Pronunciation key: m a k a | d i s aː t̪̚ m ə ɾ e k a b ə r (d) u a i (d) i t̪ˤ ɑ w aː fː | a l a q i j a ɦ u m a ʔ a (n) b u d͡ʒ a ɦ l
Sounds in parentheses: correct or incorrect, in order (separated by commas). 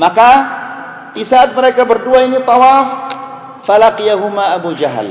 correct, incorrect, incorrect